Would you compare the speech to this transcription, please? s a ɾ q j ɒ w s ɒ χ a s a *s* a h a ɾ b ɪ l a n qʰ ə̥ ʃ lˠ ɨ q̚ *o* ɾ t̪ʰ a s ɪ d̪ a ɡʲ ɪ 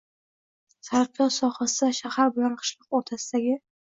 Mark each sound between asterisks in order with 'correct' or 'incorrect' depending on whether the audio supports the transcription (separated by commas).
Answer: incorrect, correct